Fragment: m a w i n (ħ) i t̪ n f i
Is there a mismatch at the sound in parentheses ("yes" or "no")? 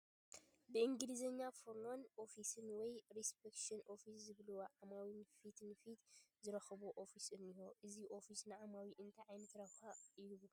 yes